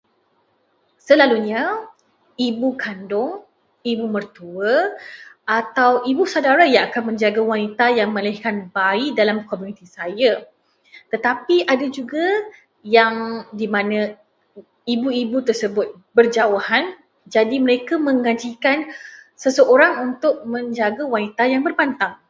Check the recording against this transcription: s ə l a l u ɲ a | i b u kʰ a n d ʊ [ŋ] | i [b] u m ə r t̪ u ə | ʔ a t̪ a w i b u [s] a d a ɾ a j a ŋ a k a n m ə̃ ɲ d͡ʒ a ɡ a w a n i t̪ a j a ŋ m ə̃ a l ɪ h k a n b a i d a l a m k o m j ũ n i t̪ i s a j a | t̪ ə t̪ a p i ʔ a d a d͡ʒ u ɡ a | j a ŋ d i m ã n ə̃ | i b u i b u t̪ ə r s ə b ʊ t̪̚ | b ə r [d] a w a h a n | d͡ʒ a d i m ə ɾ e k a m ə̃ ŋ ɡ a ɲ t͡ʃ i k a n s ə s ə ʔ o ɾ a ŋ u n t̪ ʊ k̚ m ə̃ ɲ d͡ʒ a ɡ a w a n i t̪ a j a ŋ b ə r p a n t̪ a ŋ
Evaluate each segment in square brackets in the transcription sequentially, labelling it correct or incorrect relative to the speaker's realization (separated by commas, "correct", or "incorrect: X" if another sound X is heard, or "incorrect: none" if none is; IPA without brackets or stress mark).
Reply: correct, correct, correct, incorrect: d͡ʒ